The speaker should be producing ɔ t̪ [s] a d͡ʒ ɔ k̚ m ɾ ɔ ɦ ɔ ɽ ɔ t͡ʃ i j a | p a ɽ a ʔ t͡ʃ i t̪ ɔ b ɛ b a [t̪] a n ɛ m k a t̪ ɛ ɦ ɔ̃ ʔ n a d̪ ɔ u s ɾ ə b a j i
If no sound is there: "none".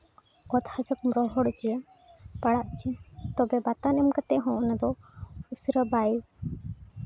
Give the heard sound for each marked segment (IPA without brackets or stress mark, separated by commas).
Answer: h, t̪